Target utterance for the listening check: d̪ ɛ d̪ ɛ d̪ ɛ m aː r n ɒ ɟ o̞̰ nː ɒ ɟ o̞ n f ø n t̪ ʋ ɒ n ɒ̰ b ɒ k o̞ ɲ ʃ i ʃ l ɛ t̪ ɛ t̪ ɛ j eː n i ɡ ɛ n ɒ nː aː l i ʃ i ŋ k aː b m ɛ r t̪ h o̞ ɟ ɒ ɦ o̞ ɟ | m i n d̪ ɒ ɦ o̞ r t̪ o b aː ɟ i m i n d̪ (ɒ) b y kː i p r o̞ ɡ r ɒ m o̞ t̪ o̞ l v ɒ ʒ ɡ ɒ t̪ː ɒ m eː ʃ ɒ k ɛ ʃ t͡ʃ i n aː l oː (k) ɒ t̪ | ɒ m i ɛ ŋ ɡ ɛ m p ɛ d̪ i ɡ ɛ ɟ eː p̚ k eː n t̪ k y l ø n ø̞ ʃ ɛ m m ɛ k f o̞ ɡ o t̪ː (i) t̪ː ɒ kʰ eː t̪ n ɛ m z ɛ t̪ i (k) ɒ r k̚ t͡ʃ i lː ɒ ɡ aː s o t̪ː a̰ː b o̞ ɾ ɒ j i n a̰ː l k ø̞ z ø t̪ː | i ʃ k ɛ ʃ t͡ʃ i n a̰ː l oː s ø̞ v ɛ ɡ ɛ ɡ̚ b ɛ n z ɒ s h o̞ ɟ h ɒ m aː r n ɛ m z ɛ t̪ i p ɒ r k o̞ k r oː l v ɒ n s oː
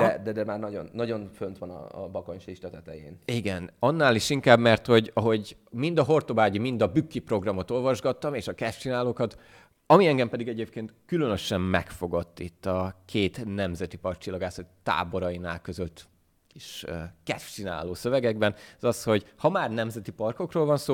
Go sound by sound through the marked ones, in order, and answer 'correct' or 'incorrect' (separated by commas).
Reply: correct, correct, correct, incorrect